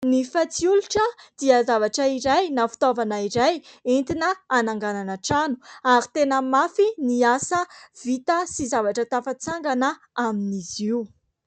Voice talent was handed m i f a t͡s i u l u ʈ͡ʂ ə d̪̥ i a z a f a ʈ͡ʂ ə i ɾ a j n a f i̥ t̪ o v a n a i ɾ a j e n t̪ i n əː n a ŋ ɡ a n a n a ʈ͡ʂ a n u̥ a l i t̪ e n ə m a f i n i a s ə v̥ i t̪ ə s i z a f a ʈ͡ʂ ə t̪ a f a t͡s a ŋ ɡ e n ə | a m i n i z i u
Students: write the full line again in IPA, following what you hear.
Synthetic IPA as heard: n i f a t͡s i u l u ʈ͡ʂ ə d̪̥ i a z a v a ʈ͡ʂ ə i ɾ a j n a f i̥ t̪ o v a n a i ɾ a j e n t̪ i n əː n a ŋ ɡ a n a n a ʈ͡ʂ a n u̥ a ɾ i t̪ e n ə m a f i n i a s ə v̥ i t̪ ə s i z a v a ʈ͡ʂ ə t̪ a f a t͡s a ŋ ɡ a n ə | a m i n i z i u